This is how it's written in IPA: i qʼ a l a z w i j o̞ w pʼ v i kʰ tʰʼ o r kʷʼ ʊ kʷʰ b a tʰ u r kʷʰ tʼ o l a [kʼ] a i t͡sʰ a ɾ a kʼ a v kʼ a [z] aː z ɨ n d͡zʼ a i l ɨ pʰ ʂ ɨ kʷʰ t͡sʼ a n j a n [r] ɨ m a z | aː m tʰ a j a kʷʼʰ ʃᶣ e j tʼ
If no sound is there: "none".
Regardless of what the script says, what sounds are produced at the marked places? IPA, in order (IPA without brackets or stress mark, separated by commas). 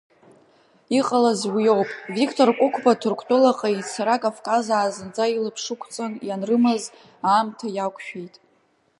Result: qʼ, z, r